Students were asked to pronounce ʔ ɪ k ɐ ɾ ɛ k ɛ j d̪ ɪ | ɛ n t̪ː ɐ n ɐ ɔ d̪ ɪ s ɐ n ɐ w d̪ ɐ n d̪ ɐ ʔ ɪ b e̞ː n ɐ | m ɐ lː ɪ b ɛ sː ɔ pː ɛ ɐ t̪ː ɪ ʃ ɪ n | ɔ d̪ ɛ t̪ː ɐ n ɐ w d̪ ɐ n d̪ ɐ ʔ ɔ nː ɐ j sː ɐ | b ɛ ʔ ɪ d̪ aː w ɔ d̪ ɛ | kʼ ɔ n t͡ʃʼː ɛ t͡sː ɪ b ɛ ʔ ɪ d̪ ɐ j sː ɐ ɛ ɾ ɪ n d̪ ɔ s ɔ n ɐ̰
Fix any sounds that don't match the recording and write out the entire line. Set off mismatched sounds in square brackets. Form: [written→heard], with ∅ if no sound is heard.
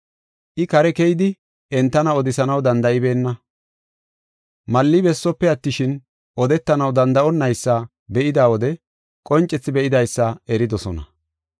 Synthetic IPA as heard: ʔ ɪ k ɐ ɾ ɛ k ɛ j d̪ ɪ | ɛ n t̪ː ɐ n ɐ ɔ d̪ ɪ s ɐ n ɐ w d̪ ɐ n d̪ ɐ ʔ ɪ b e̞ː [n→nː] ɐ | m ɐ lː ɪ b ɛ sː ɔ pː ɛ ɐ t̪ː ɪ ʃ ɪ n | ɔ d̪ ɛ t̪ː ɐ n ɐ w d̪ ɐ n d̪ ɐ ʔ ɔ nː ɐ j sː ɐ | b ɛ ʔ ɪ d̪ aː w ɔ d̪ ɛ | kʼ ɔ n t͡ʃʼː ɛ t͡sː ɪ b ɛ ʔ ɪ d̪ ɐ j sː ɐ ɛ ɾ ɪ [n→∅] d̪ ɔ s ɔ n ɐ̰